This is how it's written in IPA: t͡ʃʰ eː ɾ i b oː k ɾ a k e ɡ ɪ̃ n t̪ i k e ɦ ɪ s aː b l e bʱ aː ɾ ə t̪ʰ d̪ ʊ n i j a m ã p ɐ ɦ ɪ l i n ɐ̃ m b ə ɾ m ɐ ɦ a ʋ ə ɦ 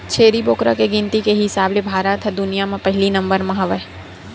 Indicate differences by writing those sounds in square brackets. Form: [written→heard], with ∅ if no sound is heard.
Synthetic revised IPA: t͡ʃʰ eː ɾ i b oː k ɾ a k e ɡ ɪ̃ n t̪ i k e ɦ ɪ s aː b l e bʱ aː ɾ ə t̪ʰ d̪ ʊ n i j a m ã p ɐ ɦ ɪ l i n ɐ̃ m b ə ɾ m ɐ ɦ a ʋ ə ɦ